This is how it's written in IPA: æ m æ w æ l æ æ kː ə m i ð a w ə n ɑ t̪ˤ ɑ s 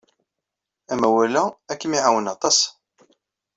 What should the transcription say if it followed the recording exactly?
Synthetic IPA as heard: æ m æ w æ l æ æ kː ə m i ʕ a w ə n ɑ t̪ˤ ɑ s